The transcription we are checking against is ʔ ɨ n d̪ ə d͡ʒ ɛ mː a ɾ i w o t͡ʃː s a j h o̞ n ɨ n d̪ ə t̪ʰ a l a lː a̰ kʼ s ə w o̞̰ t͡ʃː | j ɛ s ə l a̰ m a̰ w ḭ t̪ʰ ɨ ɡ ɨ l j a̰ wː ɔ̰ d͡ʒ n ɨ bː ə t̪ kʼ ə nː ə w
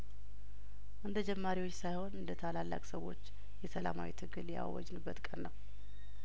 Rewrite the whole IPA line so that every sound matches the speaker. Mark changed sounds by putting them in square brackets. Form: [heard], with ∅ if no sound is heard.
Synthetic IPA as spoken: ʔ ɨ n d̪ ə d͡ʒ ɛ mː a ɾ i w o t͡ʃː s a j h o̞ n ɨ n d̪ ə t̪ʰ a l a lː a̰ kʼ s ə w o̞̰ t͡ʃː | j ɛ s ə l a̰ m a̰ w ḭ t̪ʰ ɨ ɡ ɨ l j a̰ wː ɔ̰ d͡ʒ n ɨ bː ə t̪ kʼ ə nː ə w